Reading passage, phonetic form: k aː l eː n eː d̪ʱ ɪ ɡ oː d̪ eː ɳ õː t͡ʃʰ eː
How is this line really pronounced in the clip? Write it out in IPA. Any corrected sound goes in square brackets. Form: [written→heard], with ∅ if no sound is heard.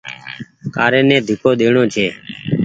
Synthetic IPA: k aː [l→ɾ] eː n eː d̪ʱ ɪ [ɡ→k] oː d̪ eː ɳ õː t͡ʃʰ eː